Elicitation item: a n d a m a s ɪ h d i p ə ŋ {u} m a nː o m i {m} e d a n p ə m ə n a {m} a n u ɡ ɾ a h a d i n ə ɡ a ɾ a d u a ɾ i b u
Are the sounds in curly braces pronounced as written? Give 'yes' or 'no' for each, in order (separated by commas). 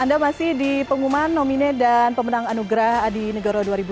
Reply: yes, no, no